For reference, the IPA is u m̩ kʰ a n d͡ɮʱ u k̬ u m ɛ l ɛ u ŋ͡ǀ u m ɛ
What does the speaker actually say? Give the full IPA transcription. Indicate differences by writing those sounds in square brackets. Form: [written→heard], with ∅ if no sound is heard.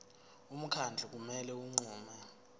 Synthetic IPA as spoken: u m̩ kʰ a n d͡ɮʱ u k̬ u m ɛ l ɛ u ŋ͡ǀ [u→uː] m ɛ

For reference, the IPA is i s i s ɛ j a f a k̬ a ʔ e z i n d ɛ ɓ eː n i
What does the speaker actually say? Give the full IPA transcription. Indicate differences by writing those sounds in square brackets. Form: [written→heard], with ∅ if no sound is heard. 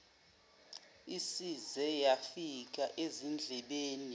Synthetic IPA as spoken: i s i [s→z] ɛ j a f [a→i] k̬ a ʔ e z i n [d→d͡ɮʱ] ɛ ɓ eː n i

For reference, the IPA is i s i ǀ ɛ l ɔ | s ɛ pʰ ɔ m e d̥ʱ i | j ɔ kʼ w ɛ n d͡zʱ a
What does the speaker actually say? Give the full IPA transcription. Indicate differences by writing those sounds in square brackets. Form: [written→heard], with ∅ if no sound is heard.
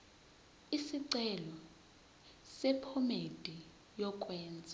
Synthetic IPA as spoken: i s i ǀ ɛ l ɔ | s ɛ pʰ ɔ m e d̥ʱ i | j ɔ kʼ w [ɛ→ɛː] n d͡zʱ a

